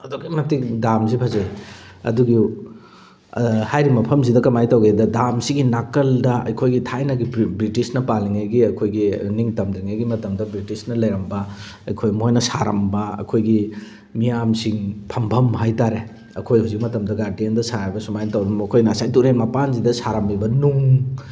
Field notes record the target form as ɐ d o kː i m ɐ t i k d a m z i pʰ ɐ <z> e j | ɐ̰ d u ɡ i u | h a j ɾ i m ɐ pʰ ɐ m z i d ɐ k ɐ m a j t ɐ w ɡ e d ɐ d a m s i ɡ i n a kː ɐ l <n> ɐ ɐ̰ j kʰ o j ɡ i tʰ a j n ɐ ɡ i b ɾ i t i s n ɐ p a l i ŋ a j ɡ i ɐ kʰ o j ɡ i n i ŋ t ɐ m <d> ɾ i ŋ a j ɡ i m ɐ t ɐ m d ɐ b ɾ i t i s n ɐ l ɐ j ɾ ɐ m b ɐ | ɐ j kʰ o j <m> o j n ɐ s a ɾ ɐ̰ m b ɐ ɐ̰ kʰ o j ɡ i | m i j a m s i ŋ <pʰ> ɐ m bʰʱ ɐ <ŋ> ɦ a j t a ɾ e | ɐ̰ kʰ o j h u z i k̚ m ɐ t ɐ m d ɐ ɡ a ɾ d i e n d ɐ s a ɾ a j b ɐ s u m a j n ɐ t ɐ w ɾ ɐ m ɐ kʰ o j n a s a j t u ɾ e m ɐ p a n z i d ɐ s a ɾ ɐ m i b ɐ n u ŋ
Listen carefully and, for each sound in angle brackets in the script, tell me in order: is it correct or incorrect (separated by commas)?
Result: correct, incorrect, correct, correct, correct, incorrect